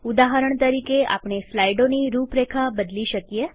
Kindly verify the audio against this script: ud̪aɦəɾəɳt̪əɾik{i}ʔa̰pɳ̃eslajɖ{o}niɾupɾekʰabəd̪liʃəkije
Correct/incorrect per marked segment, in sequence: incorrect: e, correct

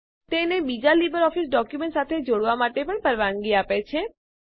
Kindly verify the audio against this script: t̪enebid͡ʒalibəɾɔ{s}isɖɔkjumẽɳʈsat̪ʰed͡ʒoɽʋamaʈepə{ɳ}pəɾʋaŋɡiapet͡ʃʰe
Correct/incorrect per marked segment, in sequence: incorrect: f, correct

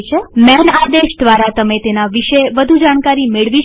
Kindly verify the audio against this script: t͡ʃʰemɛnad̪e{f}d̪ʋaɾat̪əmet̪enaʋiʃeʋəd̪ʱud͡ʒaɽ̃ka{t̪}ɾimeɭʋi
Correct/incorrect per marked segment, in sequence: incorrect: ʃ, incorrect: none

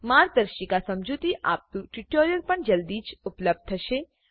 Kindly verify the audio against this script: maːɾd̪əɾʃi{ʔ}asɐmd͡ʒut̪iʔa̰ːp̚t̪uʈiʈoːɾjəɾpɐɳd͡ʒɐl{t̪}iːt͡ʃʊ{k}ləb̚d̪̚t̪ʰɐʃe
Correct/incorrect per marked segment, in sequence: incorrect: k, incorrect: d̪, incorrect: p

